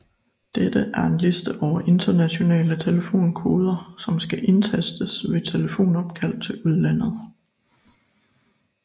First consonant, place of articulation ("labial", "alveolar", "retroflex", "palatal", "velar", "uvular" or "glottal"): alveolar